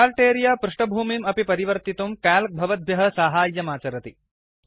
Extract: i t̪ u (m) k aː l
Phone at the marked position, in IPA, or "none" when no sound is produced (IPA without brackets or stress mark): m